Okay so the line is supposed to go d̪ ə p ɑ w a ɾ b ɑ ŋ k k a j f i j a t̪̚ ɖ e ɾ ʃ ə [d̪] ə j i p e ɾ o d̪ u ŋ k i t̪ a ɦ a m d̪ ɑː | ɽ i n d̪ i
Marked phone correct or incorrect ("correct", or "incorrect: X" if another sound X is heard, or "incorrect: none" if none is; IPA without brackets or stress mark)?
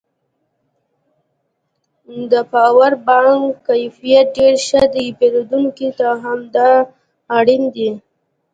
correct